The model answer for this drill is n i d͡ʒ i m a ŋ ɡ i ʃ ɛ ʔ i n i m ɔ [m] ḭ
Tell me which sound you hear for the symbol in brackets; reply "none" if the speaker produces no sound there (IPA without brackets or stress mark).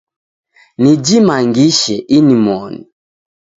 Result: n